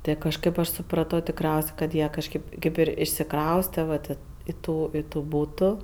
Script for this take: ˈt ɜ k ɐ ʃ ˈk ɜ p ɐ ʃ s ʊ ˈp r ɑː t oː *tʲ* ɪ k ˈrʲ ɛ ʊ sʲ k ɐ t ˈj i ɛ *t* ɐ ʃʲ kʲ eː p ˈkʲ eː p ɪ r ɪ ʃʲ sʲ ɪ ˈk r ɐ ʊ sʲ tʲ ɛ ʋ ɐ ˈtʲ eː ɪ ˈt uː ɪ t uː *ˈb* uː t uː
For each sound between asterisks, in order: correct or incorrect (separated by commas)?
correct, incorrect, correct